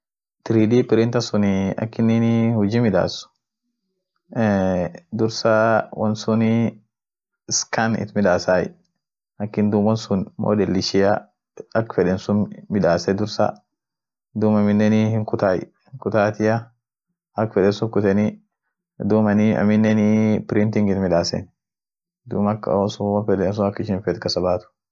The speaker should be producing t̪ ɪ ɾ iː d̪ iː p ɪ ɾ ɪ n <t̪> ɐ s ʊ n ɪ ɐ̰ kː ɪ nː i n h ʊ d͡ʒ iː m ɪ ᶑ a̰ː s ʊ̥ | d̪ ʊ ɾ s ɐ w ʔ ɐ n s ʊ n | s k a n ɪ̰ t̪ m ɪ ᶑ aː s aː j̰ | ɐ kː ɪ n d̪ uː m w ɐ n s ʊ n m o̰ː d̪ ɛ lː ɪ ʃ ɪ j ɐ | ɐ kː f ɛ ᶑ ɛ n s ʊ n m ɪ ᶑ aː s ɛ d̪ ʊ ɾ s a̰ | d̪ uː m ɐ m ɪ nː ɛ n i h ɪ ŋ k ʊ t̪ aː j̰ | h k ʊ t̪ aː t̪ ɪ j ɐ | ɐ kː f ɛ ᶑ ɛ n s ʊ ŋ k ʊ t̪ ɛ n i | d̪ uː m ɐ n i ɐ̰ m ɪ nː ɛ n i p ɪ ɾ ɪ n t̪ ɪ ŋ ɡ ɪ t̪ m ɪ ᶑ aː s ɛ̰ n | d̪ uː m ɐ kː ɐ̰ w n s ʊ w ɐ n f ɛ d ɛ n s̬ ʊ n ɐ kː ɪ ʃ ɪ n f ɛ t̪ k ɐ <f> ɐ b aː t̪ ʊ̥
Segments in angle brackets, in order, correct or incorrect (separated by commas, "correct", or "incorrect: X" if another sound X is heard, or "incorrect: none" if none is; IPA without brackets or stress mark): correct, incorrect: s